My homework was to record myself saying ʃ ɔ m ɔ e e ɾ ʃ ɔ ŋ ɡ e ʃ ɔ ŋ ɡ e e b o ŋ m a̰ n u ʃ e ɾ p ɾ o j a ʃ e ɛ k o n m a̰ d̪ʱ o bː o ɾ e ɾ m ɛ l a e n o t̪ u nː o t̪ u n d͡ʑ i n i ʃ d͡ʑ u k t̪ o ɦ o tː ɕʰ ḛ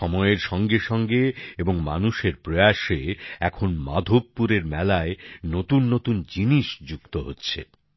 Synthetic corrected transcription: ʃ ɔ m ɔ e e ɾ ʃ ɔ ŋ ɡ e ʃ ɔ ŋ ɡ e e b o ŋ m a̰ n u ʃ e ɾ p ɾ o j a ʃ e ɛ kʰ o n m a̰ d̪ʱ o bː u ɾ e ɾ m ɛ l a e n o t̪ u nː o t̪ u n d͡ʑ i n i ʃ d͡ʑ u k t̪ o ɦ o tː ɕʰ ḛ